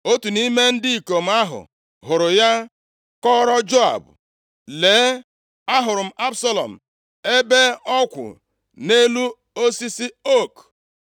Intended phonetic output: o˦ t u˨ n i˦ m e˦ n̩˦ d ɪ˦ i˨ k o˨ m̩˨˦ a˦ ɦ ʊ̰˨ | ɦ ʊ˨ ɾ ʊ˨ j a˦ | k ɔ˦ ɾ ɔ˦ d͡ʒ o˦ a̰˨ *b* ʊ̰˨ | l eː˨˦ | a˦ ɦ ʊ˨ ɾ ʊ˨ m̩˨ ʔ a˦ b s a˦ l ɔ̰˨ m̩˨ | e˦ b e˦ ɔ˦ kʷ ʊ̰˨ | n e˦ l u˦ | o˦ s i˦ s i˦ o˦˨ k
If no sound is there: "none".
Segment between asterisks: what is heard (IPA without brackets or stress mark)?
b